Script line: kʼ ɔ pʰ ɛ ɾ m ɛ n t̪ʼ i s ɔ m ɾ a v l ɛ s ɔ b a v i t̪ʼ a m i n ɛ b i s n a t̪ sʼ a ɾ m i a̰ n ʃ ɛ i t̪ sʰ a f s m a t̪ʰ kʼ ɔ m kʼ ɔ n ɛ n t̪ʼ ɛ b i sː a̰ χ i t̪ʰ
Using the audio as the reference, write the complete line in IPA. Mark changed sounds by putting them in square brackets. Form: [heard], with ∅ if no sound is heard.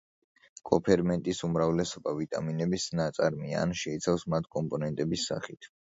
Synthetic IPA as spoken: kʼ ɔ pʰ ɛ ɾ m ɛ n t̪ʼ i s [u] m ɾ a v l ɛ s ɔ b a v i t̪ʼ a m i n ɛ b i s n a t̪ sʼ a ɾ m i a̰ n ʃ ɛ i t̪ sʰ a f s m a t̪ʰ kʼ ɔ m [pʼ] ɔ n ɛ n t̪ʼ ɛ b i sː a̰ χ i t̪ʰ